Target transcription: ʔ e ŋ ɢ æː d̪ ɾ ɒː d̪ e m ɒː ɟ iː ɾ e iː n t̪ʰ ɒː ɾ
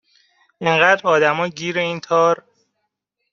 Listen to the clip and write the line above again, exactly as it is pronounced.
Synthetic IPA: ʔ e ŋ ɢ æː d̪ ɾ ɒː d̪ æ m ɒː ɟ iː ɾ e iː n t̪ʰ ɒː ɾ